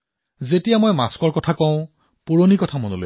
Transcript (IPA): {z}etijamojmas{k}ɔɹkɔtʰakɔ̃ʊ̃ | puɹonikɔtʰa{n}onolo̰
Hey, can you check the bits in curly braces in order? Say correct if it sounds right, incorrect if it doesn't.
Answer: correct, correct, incorrect: m

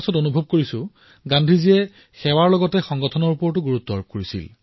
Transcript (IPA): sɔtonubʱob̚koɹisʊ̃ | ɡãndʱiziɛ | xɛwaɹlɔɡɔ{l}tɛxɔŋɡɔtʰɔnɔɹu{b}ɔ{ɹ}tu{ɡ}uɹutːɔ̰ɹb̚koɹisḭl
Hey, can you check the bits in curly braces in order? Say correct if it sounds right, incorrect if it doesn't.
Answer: incorrect: none, incorrect: p, correct, correct

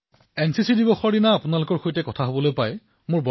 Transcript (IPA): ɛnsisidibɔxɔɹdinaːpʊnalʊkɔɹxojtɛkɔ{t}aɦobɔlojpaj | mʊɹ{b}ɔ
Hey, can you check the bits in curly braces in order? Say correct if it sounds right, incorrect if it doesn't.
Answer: incorrect: tʰ, correct

